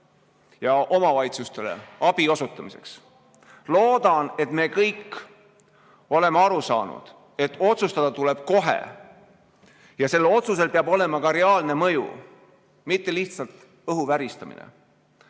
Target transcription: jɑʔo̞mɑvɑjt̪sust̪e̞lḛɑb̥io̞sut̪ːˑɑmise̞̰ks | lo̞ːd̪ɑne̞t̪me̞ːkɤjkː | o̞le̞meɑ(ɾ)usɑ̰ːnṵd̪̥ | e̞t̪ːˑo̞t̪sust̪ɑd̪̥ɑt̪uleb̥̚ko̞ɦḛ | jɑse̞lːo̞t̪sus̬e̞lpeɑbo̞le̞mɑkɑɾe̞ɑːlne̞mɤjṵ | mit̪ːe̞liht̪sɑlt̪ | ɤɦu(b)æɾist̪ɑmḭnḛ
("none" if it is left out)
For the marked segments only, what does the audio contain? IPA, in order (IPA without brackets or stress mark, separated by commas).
ɾ, v